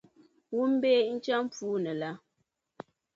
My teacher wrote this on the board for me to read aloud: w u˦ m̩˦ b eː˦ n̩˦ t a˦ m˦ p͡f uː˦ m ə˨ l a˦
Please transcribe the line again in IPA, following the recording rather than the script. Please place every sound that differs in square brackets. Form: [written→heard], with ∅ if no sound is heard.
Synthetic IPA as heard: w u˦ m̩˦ b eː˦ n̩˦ [t→t͡ʃ] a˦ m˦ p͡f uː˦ [m→n] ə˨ l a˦

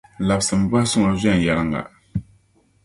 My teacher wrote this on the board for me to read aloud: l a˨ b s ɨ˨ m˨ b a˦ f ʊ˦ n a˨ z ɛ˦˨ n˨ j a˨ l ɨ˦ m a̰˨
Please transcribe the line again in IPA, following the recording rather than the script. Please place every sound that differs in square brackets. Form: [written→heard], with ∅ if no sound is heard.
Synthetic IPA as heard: l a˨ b s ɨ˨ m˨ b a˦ [f→s] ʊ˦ [n→ŋ] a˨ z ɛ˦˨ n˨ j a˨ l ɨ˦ [m→ŋ] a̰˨

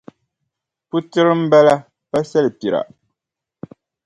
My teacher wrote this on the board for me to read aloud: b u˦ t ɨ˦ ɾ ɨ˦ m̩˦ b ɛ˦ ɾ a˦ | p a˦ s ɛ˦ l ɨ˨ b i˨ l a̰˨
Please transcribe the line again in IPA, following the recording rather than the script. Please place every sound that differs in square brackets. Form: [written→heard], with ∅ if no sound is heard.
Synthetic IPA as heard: [b→p] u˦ t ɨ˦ ɾ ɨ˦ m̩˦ b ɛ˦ [ɾ→l] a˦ | p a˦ s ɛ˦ l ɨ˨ [b→p] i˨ [l→ɾ] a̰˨

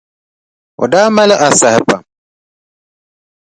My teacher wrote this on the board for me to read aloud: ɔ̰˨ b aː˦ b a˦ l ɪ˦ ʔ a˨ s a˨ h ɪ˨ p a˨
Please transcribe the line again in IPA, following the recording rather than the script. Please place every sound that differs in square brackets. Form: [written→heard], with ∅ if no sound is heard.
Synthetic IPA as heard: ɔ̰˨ [b→d] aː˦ [b→m] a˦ l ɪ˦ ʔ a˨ s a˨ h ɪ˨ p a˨

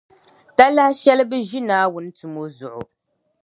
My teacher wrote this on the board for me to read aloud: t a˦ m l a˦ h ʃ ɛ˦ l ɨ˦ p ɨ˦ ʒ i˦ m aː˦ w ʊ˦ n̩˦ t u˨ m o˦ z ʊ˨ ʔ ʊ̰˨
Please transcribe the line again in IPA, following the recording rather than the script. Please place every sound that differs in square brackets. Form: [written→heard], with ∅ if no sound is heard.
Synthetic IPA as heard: t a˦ [m→∅] l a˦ h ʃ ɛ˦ l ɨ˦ [p→b] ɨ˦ ʒ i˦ [m→n] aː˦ w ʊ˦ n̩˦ t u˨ m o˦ z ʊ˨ ʔ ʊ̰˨

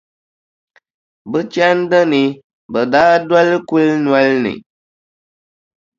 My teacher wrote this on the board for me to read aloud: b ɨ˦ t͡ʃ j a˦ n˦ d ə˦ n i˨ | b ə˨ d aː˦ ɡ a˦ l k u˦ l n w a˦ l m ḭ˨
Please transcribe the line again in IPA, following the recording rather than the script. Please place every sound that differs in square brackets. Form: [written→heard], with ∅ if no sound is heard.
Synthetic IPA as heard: b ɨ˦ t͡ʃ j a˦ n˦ d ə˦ n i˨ | b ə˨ d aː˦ [ɡ→d] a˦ l k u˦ l n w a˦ l [m→n] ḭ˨

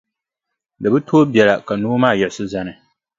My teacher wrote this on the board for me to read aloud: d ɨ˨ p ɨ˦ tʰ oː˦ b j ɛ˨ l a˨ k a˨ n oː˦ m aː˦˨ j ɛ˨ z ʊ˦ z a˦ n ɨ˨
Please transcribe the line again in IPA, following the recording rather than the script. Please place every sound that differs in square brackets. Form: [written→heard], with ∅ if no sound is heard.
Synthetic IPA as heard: d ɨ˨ [p→b] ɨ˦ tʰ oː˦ b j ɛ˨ l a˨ k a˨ n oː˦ m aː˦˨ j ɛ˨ [z→s] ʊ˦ z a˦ n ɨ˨

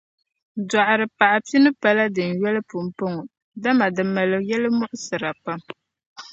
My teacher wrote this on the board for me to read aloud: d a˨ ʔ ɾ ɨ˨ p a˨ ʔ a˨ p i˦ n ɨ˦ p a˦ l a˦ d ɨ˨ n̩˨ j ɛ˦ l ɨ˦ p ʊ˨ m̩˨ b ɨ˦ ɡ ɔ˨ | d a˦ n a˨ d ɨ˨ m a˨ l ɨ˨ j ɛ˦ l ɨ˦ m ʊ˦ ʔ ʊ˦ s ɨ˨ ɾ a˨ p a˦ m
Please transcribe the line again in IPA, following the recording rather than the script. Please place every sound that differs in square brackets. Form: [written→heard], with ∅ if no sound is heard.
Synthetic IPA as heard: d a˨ ʔ ɾ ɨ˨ p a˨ ʔ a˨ p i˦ n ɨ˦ p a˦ l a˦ d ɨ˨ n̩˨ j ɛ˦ l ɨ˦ p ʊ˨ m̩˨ [b→p] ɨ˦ [ɡ→ŋ] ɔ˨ | d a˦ [n→m] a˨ d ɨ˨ m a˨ l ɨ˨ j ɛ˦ l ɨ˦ m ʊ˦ ʔ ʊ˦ s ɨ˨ ɾ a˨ p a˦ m

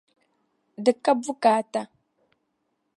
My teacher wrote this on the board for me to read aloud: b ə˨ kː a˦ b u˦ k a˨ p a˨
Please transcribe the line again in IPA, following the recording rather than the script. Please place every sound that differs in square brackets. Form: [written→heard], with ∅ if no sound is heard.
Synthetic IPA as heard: [b→d] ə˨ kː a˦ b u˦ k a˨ [p→t] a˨

